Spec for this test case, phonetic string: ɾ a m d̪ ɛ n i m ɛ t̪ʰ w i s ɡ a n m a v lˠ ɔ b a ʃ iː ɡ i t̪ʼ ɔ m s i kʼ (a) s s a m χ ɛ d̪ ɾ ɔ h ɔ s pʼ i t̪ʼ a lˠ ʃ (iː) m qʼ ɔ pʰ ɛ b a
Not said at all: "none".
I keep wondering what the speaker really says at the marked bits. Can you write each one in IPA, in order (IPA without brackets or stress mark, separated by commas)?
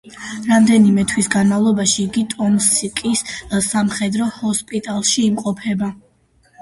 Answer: i, iː